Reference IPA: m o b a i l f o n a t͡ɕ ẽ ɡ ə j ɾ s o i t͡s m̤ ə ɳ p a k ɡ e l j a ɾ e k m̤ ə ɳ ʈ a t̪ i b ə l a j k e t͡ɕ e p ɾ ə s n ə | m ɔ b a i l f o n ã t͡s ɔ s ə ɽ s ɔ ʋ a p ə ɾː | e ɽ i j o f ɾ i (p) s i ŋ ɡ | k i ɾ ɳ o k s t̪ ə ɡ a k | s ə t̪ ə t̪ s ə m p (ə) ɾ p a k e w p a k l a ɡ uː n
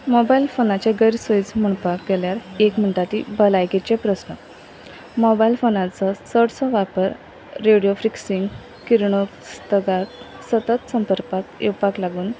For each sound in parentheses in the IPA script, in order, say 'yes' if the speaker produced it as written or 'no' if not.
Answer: no, yes

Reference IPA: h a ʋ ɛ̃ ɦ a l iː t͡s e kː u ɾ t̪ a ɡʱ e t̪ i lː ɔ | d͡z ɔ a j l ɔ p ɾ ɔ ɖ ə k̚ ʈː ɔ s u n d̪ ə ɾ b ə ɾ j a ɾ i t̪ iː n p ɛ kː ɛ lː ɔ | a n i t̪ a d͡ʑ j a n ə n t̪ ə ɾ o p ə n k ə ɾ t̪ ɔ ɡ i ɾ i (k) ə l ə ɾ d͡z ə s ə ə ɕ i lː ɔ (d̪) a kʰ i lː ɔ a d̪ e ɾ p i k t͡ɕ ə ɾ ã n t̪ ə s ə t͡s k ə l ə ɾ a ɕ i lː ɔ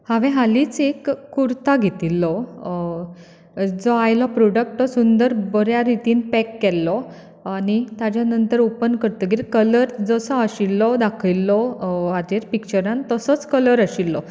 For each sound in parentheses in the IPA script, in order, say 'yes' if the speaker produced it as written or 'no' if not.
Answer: yes, yes

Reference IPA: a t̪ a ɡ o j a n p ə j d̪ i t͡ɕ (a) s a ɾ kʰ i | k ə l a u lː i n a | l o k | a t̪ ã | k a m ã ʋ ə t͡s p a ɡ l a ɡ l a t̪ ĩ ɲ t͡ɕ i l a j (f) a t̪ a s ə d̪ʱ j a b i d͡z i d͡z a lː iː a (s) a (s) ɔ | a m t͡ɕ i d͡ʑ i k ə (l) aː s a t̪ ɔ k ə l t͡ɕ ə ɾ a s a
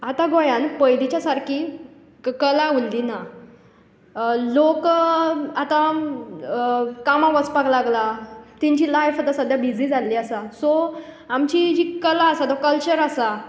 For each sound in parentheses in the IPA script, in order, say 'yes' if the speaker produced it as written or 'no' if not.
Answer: yes, yes, yes, yes, yes

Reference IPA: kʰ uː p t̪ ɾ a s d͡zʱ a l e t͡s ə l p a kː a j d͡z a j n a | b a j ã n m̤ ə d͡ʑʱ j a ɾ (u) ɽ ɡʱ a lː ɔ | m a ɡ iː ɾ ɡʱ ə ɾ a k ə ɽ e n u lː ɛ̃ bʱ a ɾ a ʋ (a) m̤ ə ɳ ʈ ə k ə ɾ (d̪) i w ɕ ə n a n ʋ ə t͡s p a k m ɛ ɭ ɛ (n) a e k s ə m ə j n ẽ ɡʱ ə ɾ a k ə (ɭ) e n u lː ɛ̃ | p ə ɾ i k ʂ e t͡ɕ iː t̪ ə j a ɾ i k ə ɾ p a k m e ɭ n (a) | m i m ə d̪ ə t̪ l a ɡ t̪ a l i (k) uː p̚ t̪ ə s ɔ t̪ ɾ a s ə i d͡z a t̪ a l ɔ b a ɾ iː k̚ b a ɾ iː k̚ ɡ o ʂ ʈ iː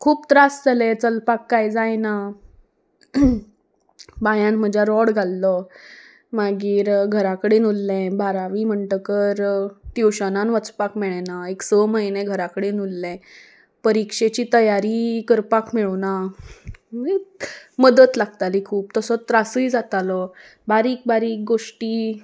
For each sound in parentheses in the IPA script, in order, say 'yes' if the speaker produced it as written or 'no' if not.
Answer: no, no, no, yes, no, yes, no

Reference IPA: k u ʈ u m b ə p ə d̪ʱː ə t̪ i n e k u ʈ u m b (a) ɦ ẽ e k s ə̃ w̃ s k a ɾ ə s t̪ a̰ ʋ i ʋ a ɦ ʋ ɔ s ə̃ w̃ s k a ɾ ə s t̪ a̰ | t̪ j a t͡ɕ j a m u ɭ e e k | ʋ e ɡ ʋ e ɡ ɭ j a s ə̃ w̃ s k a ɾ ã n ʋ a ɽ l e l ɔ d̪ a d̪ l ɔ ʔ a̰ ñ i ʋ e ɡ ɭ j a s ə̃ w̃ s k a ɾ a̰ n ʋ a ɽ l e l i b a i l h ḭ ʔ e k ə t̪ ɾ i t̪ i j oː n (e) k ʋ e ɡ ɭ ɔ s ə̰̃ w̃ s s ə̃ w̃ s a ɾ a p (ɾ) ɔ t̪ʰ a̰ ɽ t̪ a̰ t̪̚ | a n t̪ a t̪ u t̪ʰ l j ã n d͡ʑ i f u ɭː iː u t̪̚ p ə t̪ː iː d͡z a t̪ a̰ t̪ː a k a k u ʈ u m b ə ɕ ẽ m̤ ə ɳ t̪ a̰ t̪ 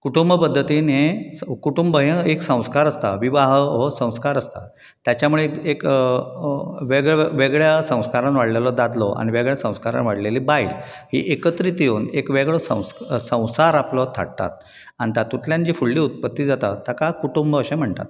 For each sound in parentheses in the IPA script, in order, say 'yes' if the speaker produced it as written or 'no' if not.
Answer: no, yes, no

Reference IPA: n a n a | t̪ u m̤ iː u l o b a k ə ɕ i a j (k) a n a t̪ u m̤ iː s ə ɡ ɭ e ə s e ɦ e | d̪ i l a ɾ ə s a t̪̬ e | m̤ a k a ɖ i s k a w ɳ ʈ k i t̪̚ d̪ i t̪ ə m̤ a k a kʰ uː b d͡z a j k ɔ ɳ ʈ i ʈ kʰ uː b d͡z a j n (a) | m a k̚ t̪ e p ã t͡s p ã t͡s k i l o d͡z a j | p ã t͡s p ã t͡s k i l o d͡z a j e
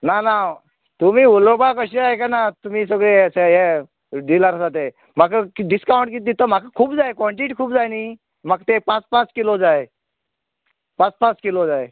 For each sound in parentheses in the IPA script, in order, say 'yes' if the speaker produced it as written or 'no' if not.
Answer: yes, no

